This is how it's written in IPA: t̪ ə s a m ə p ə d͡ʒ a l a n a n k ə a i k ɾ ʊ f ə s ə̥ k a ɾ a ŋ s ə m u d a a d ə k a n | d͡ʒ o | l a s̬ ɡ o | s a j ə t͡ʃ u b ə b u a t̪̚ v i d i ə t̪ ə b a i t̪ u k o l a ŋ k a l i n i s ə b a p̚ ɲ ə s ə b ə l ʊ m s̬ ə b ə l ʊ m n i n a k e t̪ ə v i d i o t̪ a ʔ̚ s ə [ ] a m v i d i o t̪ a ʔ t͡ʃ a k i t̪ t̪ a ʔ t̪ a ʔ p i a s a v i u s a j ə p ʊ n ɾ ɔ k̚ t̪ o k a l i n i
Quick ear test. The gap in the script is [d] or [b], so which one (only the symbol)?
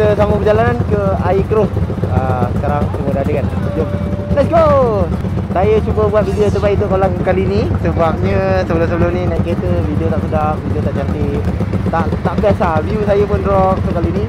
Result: d